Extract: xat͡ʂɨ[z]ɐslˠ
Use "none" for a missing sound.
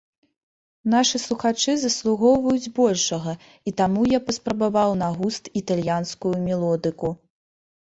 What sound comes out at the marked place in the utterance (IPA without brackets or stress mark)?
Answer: z